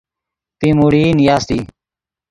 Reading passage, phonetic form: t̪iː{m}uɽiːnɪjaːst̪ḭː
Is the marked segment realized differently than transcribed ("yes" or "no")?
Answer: no